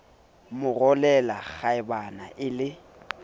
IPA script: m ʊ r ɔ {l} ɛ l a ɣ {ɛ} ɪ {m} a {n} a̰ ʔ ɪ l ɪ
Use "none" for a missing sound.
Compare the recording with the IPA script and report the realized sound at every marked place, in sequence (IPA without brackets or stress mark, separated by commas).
l, a, b, n